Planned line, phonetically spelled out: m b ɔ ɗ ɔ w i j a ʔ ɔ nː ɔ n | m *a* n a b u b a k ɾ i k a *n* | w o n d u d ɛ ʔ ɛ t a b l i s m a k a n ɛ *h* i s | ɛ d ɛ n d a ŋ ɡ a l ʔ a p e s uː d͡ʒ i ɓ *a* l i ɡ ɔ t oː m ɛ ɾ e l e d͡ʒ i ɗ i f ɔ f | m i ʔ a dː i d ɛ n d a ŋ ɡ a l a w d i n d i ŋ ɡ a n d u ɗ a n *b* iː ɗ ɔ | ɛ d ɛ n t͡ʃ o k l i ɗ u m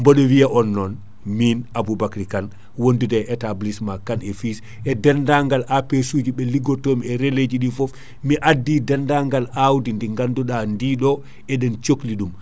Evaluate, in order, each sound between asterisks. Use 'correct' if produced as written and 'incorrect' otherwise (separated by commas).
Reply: incorrect, correct, incorrect, incorrect, incorrect